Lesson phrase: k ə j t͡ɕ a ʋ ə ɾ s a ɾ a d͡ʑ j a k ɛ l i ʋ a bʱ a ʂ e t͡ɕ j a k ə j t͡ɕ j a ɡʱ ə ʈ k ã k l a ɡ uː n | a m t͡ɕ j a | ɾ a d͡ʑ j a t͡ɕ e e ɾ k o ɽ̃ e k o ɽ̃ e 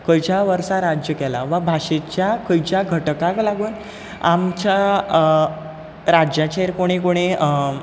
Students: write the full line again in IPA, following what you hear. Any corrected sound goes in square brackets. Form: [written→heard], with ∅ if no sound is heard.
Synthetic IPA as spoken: k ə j t͡ɕ a ʋ ə ɾ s a ɾ a d͡ʑ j [a→ə] k ɛ l [i→a] ʋ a bʱ a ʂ e t͡ɕ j a k ə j t͡ɕ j a ɡʱ ə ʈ k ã k l a ɡ uː n | a m t͡ɕ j a | ɾ a d͡ʑ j a t͡ɕ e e ɾ k o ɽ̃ e k o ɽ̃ e